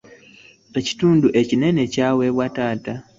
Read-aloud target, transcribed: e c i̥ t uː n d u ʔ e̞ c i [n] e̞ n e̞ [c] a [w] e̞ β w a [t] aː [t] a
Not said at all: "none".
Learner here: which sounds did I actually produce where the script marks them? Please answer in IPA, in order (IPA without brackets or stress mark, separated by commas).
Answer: n, c, w, t, t